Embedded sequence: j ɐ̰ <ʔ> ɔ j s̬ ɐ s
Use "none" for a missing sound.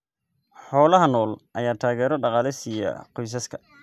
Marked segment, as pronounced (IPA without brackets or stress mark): q